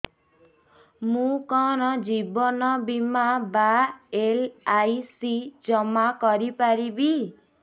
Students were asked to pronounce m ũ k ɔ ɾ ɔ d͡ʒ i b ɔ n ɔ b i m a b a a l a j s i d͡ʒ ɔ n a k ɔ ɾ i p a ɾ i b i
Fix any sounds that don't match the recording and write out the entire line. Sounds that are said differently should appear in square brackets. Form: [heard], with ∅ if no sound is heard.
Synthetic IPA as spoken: m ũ k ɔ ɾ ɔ d͡ʒ i b ɔ n ɔ b i m a b a [e] l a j s i d͡ʒ ɔ [m] a k ɔ ɾ i p a ɾ i b i